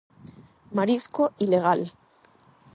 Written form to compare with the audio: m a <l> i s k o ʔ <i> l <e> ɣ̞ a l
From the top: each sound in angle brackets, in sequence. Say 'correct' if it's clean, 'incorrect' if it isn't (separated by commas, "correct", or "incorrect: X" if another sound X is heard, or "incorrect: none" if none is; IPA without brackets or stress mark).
incorrect: ɾ, correct, correct